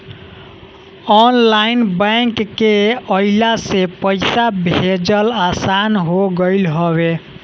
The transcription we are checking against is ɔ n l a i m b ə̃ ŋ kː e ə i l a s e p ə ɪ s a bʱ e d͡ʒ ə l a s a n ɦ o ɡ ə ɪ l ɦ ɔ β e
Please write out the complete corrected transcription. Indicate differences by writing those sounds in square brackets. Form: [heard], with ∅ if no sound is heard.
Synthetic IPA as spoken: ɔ n l a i [n] b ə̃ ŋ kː e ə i l a s e p ə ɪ s a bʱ e d͡ʒ ə l a s a n ɦ o ɡ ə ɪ l ɦ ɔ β e